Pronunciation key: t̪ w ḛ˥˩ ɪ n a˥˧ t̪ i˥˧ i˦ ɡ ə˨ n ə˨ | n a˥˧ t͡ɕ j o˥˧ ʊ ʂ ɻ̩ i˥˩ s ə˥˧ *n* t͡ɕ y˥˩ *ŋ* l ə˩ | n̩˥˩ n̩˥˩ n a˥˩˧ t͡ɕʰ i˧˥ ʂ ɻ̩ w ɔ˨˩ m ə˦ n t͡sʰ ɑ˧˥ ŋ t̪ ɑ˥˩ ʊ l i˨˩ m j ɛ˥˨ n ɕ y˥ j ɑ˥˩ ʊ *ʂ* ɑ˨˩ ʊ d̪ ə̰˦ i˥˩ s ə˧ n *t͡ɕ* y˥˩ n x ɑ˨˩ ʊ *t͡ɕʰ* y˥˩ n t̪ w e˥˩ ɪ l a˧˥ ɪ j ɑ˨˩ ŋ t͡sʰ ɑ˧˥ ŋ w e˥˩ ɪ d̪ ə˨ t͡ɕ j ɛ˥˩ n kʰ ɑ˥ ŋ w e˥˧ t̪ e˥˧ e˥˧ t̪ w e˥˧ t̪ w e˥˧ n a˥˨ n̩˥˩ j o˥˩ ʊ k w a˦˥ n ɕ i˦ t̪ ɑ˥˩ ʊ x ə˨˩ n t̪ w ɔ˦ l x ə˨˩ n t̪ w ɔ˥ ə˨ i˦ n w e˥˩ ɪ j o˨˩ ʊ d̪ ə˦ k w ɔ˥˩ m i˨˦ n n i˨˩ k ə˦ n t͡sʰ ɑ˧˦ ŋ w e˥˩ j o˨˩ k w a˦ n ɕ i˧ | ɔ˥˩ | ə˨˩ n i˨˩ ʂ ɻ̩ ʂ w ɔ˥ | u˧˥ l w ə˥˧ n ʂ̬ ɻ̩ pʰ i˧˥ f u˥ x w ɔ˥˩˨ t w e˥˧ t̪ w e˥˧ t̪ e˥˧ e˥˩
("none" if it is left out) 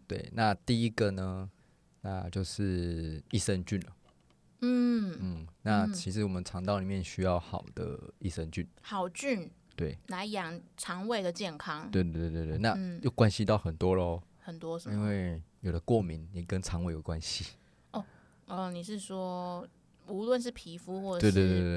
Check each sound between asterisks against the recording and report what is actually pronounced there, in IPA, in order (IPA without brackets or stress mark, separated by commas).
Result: n, n, x, t͡ɕ, t͡ɕ